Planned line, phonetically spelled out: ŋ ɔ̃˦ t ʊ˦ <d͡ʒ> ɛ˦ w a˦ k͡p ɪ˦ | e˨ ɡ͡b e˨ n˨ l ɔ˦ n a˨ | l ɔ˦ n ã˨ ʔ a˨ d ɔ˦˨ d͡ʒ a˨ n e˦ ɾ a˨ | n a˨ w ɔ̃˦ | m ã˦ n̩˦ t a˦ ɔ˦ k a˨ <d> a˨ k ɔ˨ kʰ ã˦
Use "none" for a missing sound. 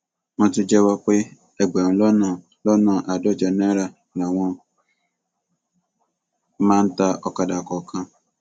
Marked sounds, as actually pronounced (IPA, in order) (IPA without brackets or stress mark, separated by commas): d͡ʒ, d